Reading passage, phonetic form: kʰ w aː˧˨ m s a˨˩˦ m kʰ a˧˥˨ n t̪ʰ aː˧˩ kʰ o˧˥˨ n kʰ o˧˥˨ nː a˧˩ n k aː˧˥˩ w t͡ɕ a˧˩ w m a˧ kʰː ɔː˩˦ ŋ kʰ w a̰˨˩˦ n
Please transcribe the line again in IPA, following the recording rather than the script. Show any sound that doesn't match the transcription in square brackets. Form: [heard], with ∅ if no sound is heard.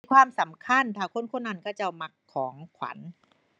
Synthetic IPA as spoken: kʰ w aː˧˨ m s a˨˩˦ m kʰ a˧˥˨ n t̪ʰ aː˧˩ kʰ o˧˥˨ n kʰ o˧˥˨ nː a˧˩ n k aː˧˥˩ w t͡ɕ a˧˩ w m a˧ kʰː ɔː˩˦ ŋ kʰ w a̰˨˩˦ n